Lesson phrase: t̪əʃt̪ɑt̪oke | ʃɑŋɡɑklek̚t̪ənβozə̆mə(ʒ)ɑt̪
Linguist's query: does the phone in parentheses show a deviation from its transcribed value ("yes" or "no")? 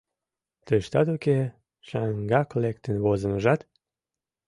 no